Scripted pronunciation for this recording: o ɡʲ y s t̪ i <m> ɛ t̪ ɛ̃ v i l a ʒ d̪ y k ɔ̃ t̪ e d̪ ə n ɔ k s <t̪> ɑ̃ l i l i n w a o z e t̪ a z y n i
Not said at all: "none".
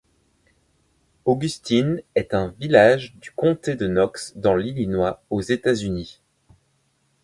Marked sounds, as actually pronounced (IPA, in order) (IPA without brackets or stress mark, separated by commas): n, d̪